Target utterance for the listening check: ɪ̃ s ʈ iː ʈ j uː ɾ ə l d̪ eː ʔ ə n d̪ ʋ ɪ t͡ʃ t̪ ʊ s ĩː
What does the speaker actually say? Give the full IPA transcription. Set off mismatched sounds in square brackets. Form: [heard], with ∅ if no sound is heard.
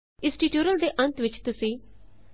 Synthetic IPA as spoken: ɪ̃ s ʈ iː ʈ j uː ɾ ə l d̪ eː ʔ ə n [t̪] ʋ ɪ t͡ʃ t̪ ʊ s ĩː